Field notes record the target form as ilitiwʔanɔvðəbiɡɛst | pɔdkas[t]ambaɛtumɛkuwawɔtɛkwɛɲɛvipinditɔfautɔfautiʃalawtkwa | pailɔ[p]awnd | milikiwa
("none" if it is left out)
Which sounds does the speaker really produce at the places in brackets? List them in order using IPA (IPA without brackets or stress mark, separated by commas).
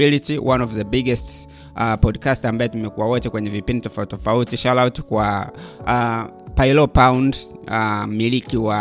t, p